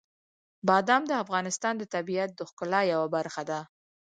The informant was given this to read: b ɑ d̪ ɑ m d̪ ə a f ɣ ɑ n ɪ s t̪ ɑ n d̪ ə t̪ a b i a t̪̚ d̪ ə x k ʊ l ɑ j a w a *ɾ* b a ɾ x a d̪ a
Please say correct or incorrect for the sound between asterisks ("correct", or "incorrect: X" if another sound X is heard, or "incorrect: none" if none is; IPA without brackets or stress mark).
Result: incorrect: none